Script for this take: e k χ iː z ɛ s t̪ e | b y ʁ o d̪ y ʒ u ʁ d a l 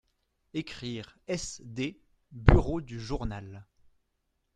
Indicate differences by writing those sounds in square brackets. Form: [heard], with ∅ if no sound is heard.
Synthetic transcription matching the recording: e k χ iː [ʁ] ɛ s [d̪] e | b y ʁ o d̪ y ʒ u ʁ [n] a l

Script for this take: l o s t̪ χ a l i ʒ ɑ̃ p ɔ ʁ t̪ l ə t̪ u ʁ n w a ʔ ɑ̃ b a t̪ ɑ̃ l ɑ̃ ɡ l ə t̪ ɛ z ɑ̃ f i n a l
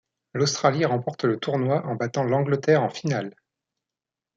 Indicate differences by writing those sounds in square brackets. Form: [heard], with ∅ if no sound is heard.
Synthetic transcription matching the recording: l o s t̪ χ a l i [ʁ] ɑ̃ p ɔ ʁ t̪ l ə t̪ u ʁ n w a ʔ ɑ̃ b a t̪ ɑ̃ l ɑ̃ ɡ l ə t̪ ɛ [ʁ] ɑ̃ f i n a l

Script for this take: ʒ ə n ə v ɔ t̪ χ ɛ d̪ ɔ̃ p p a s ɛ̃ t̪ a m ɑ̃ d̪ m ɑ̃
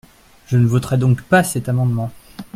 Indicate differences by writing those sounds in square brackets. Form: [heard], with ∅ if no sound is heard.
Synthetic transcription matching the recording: ʒ ə n ə v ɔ t̪ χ ɛ d̪ ɔ̃ [k] p a s [ɛ] t̪ a m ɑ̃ d̪ m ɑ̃

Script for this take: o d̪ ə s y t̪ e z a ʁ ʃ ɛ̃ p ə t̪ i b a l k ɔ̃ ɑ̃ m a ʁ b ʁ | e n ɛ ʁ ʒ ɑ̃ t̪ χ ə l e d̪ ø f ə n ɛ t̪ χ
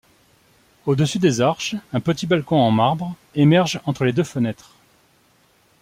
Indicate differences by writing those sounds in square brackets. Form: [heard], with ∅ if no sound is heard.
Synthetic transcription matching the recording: o d̪ ə s y [d̪] e z a ʁ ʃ ɛ̃ p ə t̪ i b a l k ɔ̃ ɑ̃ m a ʁ b ʁ | e [m] ɛ ʁ ʒ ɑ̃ t̪ χ ə l e d̪ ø f ə n ɛ t̪ χ

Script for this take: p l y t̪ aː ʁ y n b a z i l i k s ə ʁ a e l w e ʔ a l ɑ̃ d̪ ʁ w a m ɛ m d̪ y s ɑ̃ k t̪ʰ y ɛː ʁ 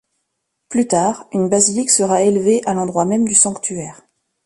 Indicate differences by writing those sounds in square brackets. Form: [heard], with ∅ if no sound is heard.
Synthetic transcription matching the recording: p l y t̪ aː ʁ y n b a z i l i k s ə ʁ a e l [v] e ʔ a l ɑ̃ d̪ ʁ w a m ɛ m d̪ y s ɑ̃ k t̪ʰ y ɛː ʁ

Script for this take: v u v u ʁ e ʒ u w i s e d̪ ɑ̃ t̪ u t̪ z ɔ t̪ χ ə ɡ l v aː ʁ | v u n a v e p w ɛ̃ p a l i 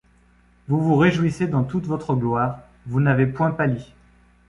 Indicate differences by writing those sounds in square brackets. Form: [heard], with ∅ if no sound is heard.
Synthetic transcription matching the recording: v u v u ʁ e ʒ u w i s e d̪ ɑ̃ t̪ u t̪ [v] ɔ t̪ χ ə ɡ l [w] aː ʁ | v u n a v e p w ɛ̃ p a l i

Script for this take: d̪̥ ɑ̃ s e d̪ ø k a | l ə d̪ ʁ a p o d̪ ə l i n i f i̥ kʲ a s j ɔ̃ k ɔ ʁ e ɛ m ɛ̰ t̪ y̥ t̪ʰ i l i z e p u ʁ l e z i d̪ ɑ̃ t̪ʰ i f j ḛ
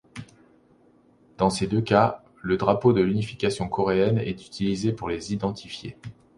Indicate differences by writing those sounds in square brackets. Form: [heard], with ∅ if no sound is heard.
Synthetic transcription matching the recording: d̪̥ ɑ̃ s e d̪ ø k a | l ə d̪ ʁ a p o d̪ ə l [y] n i f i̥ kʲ a s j ɔ̃ k ɔ ʁ e ɛ [n] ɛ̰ t̪ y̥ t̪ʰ i l i z e p u ʁ l e z i d̪ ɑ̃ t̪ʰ i f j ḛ

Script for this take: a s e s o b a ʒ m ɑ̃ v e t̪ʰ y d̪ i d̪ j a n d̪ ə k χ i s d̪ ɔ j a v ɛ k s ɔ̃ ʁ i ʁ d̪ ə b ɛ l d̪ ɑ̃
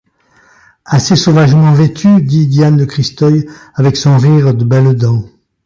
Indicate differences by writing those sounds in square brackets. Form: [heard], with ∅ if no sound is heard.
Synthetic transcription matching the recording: a s e s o [v] a ʒ m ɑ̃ v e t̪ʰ y d̪ i d̪ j a n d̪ ə k χ i s [t̪] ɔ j a v ɛ k s ɔ̃ ʁ i ʁ d̪ ə b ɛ l d̪ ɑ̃

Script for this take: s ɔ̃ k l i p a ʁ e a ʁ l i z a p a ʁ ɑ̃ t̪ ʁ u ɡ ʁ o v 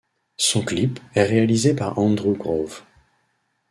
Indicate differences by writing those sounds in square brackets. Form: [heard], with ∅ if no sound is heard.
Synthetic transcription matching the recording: s ɔ̃ k l i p [ɛ] ʁ e a [∅] l i z [e] p a ʁ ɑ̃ [d̪] ʁ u ɡ ʁ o v

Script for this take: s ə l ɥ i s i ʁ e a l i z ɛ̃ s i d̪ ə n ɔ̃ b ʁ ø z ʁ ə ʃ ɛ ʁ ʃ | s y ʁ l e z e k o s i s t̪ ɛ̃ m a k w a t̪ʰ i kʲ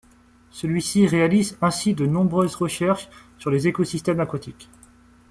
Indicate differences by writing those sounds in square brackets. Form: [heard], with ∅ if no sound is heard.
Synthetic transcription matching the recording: s ə l ɥ i s i ʁ e a l i z ɛ̃ s i d̪ ə n ɔ̃ b ʁ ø z ʁ ə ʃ ɛ ʁ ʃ | s y ʁ l e z e k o s i s t̪ [ɛ] m a k w a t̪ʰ i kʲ

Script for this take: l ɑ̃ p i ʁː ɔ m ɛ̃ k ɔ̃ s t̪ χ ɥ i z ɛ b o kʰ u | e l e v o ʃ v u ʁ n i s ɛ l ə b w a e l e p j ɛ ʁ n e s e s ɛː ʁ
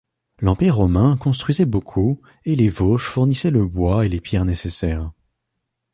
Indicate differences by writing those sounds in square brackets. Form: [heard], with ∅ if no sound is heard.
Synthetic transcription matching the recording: l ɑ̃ p i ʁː ɔ m ɛ̃ k ɔ̃ s t̪ χ ɥ i z ɛ b o kʰ u | e l e v o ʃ [f] u ʁ n i s ɛ l ə b w a e l e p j ɛ ʁ n e s e s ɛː ʁ

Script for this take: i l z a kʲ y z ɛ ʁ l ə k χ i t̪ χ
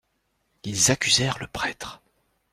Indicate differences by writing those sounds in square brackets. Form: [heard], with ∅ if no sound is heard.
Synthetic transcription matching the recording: i l z a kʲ y z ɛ ʁ l ə [p] χ [ɛ] t̪ χ

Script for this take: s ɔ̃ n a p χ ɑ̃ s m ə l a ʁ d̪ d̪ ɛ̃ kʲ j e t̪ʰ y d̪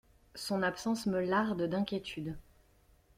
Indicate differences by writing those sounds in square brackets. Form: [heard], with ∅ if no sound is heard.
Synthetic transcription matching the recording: s ɔ̃ n a p [s] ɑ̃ s m ə l a ʁ d̪ d̪ ɛ̃ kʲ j e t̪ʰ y d̪

